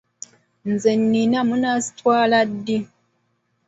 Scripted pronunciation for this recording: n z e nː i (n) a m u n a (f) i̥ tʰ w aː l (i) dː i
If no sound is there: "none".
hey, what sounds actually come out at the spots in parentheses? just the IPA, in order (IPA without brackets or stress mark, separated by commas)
n, s, a